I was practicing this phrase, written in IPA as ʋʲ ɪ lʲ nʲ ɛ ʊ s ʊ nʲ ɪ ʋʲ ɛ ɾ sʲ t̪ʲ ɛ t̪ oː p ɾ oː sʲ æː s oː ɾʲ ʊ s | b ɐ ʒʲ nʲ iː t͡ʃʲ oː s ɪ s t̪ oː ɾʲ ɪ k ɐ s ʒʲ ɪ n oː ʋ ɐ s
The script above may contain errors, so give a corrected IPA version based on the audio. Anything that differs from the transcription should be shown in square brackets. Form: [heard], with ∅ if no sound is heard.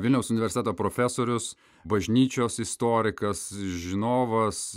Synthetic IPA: ʋʲ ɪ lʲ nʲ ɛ ʊ s ʊ nʲ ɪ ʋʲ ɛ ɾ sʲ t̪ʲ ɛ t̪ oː p ɾ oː [fʲ] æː s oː ɾʲ ʊ s | b ɐ ʒʲ nʲ iː t͡ʃʲ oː s ɪ s t̪ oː ɾʲ ɪ k ɐ s ʒʲ ɪ n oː ʋ ɐ s